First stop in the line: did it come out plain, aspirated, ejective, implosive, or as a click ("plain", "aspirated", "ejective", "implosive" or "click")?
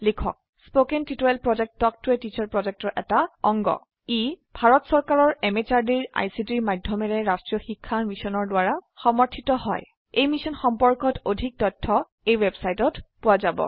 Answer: aspirated